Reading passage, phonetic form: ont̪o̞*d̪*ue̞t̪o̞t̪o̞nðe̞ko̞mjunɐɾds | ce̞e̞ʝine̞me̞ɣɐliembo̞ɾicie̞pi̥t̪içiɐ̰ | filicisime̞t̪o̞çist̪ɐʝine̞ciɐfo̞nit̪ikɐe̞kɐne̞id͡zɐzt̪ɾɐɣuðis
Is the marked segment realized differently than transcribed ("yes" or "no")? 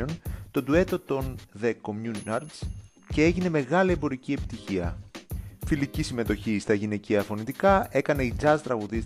no